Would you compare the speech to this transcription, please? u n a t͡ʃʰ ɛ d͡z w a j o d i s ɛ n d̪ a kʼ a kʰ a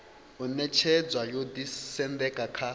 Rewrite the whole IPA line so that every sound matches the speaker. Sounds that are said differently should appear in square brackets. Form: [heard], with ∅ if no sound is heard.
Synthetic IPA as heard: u n [ɛ] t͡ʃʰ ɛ d͡z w a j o d i s ɛ n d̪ [ɛ] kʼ a kʰ a